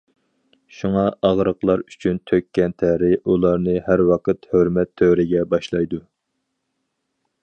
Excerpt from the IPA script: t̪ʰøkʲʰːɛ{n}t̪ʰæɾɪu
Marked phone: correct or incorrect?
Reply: correct